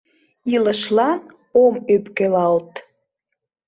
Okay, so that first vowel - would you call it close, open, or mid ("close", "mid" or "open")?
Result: close